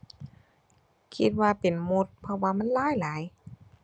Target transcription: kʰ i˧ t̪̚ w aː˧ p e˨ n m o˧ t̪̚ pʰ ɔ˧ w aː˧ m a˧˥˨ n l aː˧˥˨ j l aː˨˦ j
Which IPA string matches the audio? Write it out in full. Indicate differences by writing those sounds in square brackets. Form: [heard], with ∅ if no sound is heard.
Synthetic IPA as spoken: kʰ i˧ t̪̚ w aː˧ p e˨ n m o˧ t̪̚ pʰ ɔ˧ w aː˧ m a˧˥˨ n l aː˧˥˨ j l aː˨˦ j